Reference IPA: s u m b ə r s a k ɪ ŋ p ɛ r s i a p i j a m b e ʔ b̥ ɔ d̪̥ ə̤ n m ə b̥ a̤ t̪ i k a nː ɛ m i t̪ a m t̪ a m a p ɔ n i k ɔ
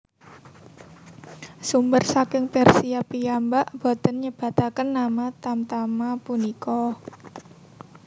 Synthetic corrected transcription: s u m b ə r s a k ɪ ŋ p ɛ r s i a p i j a m b a ʔ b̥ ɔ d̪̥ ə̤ n ɲ ə b̥ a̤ t̪ a k ə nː a m a t̪ a m t̪ a m a p u n i k ɔ